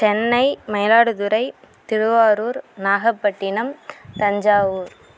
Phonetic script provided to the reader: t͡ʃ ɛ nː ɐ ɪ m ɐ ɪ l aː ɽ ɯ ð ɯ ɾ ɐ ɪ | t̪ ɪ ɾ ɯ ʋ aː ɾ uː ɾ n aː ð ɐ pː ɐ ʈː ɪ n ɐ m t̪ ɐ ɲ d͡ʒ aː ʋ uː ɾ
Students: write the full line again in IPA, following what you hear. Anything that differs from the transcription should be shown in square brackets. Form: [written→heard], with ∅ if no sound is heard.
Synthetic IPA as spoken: t͡ʃ ɛ nː ɐ ɪ m ɐ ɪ l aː ɽ ɯ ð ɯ ɾ ɐ ɪ | t̪ ɪ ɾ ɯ ʋ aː ɾ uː ɾ n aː [ð→ɣ] ɐ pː ɐ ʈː ɪ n ɐ m t̪ ɐ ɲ d͡ʒ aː ʋ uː ɾ